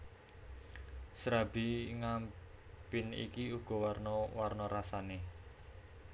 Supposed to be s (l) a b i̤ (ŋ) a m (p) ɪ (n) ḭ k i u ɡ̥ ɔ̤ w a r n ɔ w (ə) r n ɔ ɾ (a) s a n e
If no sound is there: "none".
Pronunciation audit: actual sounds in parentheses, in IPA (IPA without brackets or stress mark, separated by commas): ɾ, ŋ, p, n, a, a